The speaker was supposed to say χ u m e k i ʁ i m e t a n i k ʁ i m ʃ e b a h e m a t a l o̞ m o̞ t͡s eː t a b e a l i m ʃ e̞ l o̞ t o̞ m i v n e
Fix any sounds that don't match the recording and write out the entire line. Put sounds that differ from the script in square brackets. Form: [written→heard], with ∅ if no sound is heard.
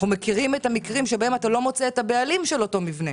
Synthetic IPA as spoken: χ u m e k i ʁ i m e t a [n→m] i k ʁ i m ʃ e b a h e m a t a l o̞ m o̞ t͡s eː t a b e a l i m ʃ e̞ l o̞ t o̞ m i v n e